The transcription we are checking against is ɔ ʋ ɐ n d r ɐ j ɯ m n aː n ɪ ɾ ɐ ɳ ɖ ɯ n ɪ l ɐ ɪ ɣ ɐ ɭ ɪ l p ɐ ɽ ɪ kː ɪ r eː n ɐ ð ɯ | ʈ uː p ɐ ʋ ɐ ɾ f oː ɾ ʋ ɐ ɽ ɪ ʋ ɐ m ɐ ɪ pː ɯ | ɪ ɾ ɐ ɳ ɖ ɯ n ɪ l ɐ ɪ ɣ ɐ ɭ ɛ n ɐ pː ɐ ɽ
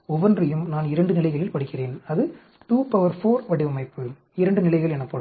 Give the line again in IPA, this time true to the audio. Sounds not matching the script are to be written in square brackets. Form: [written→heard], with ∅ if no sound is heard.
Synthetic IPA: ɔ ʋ ɐ n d r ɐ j ɯ m n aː n ɪ ɾ ɐ ɳ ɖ ɯ n ɪ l ɐ ɪ ɣ ɐ ɭ ɪ l p ɐ ɽ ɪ kː ɪ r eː n ɐ ð ɯ | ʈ uː p ɐ ʋ ɐ ɾ f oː ɾ ʋ ɐ ɽ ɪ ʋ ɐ m ɐ ɪ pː ɯ | ɪ ɾ ɐ ɳ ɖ ɯ n ɪ l ɐ ɪ ɣ ɐ ɭ ɛ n ɐ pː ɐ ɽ